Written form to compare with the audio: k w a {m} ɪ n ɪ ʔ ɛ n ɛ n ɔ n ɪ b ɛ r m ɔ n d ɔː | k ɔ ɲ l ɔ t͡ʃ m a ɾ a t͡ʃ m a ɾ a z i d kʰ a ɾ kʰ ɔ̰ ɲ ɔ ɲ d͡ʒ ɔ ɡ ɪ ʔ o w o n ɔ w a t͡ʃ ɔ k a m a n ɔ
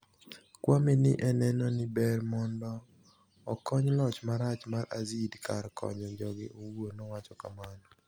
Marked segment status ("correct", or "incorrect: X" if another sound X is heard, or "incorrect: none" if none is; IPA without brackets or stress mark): correct